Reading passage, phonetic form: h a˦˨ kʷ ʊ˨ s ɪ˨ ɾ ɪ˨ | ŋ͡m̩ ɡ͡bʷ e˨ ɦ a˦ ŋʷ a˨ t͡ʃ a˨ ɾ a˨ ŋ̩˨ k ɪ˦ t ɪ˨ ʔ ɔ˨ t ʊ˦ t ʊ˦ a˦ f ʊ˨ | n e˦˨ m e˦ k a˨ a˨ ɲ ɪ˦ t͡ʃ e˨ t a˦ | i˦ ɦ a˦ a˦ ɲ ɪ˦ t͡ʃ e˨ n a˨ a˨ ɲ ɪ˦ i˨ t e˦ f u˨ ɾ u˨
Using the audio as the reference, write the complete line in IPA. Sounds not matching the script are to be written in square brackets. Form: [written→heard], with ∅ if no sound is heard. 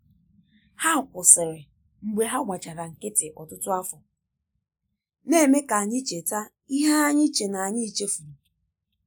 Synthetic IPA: h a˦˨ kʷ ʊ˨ s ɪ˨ ɾ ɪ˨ | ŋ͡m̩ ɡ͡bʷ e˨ ɦ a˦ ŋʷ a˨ t͡ʃ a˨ ɾ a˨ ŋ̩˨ k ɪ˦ t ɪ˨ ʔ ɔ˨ t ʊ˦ t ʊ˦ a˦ f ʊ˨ | n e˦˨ m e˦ k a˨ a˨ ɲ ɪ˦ t͡ʃ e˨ t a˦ | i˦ ɦ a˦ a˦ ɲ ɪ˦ t͡ʃ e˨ n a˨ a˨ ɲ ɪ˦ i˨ [t→t͡ʃ] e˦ f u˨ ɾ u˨